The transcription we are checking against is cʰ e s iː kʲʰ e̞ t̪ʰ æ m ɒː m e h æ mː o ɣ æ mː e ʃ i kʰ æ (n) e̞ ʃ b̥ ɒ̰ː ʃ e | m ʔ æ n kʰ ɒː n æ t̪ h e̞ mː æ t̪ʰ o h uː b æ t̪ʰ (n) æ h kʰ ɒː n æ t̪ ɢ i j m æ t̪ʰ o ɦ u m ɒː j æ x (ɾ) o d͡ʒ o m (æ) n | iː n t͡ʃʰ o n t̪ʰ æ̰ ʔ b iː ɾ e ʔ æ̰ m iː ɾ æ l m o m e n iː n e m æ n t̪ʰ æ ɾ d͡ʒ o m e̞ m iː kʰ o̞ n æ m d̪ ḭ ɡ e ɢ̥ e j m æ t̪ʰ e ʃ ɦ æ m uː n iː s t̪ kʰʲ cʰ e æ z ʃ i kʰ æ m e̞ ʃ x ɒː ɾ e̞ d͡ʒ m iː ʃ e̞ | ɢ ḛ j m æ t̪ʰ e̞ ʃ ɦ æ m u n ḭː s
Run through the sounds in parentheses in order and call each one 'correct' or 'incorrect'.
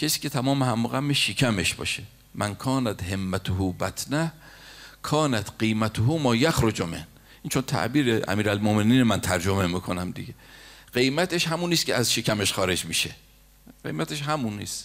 incorrect: m, correct, correct, incorrect: e

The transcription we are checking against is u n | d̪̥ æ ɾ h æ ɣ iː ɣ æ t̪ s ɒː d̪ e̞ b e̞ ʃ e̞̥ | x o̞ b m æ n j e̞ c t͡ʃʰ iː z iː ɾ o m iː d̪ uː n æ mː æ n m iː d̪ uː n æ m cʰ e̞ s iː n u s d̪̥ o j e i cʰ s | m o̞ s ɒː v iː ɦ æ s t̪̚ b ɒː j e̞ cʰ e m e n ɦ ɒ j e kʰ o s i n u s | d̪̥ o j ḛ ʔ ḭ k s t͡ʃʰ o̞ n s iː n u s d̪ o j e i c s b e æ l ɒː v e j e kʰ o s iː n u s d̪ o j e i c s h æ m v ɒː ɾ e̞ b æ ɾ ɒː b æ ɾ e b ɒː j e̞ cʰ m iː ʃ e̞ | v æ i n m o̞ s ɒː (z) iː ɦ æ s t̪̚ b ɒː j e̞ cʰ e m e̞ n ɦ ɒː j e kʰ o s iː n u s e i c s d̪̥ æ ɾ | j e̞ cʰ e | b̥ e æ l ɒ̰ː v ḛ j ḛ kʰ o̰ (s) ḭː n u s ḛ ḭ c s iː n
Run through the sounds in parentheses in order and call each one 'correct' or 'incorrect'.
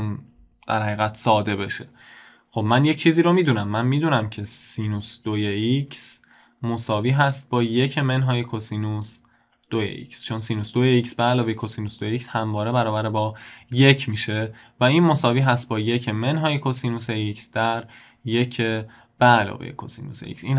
incorrect: v, correct

